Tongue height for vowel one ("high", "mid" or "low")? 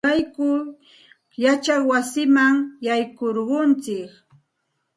low